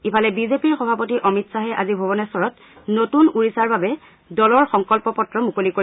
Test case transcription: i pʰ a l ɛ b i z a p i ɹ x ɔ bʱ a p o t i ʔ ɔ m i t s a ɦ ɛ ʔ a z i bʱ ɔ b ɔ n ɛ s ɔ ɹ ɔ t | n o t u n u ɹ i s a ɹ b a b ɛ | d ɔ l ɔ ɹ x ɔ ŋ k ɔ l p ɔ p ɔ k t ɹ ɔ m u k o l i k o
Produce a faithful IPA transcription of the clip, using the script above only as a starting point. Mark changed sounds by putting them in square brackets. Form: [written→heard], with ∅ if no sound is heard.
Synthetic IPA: i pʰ a l ɛ b i z [a→e] p i ɹ x ɔ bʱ a p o t i ʔ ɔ m i t s a ɦ ɛ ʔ a z i bʱ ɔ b ɔ n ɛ s ɔ ɹ ɔ t | n o t u n u ɹ i s a ɹ b a b ɛ | d ɔ l ɔ ɹ x ɔ ŋ k ɔ l p ɔ p ɔ [k→∅] t ɹ ɔ m u k o l i k o